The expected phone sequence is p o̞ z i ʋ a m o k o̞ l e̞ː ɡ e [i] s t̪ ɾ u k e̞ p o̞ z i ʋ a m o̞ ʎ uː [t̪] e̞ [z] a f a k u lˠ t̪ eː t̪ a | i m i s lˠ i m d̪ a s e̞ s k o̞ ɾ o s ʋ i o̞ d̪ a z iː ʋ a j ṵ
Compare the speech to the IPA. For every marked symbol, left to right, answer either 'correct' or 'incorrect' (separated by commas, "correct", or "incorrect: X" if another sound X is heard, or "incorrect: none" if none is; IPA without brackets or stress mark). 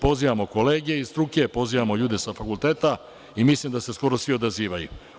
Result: correct, incorrect: d̪, incorrect: s